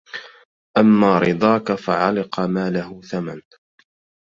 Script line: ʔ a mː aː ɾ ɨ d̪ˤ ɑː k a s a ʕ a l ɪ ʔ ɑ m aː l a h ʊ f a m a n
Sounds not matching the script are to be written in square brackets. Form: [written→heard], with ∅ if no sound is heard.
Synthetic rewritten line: ʔ a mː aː ɾ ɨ d̪ˤ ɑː k a [s→f] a ʕ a l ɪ [ʔ→q] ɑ m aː l a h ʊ [f→θ] a m a n